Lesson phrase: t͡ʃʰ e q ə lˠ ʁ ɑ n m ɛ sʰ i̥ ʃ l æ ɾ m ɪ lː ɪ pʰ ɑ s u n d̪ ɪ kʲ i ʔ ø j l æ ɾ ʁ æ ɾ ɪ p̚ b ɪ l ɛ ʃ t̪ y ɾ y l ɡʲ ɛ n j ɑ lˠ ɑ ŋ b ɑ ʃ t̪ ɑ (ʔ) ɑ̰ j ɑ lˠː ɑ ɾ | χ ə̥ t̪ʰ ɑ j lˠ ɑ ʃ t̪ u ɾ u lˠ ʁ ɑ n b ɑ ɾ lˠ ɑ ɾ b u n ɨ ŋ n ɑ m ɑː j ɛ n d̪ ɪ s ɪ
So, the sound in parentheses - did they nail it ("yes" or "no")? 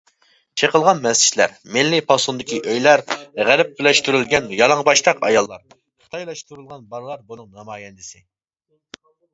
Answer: no